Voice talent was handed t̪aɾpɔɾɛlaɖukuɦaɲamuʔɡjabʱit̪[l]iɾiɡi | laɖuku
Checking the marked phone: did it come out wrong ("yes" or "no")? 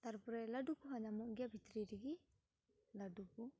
yes